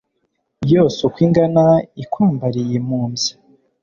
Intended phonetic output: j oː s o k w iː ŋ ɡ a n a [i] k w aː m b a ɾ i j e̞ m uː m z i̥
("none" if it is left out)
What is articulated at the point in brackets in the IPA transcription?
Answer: i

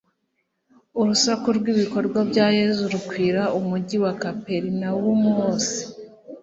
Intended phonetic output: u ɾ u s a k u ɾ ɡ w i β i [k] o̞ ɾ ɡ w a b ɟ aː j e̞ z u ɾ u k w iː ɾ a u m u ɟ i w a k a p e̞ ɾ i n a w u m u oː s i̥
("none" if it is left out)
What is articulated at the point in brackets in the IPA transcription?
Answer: k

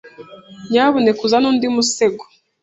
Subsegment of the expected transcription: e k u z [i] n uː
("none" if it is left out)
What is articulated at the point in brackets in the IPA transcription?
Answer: a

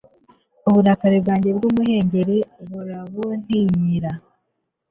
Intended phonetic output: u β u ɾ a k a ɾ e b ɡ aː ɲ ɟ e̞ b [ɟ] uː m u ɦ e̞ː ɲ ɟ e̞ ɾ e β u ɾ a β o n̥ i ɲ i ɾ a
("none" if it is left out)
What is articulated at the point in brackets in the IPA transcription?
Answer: ɡ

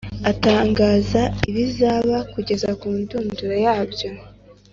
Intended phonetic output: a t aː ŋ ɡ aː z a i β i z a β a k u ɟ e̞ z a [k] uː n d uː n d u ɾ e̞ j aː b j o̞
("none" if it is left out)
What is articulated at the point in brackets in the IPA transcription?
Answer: k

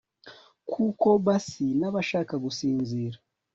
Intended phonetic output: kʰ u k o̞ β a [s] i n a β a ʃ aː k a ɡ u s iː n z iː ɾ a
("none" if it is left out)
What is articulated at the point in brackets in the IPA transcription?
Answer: s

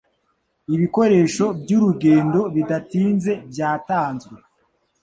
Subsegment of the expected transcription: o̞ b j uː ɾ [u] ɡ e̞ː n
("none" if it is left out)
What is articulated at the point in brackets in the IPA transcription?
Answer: u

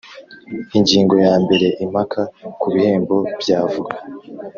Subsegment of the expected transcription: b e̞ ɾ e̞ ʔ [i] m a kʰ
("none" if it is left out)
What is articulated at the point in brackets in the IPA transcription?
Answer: i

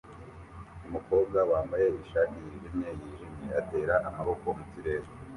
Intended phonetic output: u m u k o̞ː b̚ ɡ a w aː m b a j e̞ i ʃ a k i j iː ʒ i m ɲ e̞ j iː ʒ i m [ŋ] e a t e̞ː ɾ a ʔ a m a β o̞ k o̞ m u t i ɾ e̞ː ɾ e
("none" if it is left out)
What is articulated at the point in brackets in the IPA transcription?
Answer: ɲ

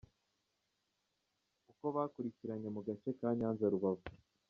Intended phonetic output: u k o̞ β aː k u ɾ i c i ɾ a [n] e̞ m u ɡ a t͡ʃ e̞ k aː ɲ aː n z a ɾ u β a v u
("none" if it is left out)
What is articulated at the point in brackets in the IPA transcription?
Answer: ɲ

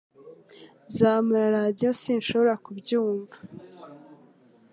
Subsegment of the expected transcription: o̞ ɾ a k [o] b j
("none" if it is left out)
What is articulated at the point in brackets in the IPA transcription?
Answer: u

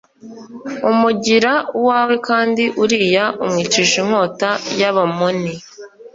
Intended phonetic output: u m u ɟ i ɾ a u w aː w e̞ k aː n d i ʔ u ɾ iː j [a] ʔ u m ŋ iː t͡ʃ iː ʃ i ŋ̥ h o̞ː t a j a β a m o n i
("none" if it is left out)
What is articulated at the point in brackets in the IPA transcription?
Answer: a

